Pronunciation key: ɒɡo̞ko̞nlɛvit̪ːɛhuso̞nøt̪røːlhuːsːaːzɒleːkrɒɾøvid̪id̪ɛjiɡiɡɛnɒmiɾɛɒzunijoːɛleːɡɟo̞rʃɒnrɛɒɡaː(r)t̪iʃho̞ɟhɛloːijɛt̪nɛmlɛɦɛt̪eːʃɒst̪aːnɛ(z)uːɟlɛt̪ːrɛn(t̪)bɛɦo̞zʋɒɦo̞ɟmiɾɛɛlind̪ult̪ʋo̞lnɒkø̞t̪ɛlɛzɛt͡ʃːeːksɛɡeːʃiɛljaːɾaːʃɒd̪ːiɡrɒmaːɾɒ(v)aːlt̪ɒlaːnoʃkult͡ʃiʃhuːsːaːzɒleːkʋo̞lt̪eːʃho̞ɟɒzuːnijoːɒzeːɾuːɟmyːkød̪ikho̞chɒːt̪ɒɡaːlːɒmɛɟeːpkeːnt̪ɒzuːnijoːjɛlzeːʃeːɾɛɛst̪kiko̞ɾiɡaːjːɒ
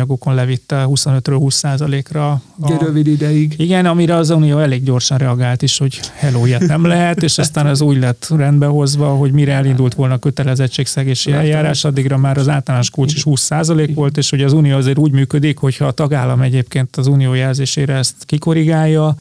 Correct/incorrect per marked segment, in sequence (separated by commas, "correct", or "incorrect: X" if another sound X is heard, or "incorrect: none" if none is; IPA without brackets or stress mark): incorrect: l, correct, incorrect: d̪, incorrect: z